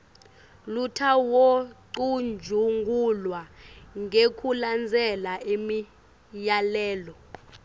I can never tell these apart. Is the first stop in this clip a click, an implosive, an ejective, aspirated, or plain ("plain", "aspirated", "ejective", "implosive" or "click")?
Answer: aspirated